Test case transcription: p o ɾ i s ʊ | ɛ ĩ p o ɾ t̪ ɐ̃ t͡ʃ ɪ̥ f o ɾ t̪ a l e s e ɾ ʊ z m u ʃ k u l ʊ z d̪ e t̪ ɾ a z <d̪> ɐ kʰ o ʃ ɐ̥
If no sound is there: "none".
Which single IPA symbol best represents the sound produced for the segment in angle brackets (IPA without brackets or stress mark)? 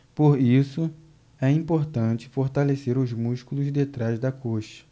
d̪